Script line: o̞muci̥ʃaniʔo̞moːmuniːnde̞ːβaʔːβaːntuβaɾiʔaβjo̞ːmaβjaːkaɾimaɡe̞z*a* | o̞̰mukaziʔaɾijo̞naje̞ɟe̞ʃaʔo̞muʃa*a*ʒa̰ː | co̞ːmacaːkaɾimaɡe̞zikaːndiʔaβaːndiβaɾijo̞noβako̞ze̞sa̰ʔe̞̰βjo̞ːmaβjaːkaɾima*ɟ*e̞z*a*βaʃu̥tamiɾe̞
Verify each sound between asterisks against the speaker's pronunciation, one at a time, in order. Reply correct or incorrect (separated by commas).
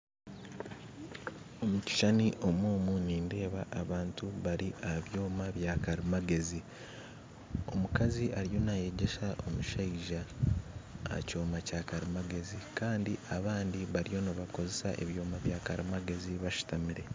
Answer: incorrect, incorrect, incorrect, incorrect